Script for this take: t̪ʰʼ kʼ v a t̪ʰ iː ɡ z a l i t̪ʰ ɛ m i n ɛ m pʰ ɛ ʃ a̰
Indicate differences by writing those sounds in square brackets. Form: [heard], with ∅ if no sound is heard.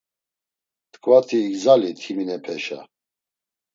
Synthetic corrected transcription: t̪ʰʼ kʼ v a t̪ʰ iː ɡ z a l i t̪ʰ [i] m i n ɛ [∅] pʰ ɛ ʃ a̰